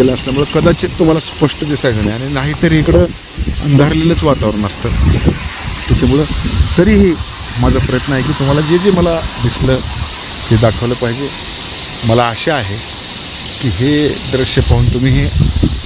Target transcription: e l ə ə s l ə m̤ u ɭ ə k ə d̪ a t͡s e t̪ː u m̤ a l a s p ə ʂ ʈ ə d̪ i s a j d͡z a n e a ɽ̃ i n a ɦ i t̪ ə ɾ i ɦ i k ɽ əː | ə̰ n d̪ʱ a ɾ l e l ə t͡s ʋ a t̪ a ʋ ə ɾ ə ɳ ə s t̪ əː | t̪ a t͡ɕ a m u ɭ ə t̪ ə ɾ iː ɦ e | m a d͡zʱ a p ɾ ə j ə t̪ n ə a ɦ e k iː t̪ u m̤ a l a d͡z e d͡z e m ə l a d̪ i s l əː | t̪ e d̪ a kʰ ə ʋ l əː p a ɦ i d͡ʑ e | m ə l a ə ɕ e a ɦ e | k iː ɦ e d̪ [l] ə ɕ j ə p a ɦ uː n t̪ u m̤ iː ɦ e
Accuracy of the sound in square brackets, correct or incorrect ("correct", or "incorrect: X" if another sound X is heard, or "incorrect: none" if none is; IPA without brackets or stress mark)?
incorrect: ɾ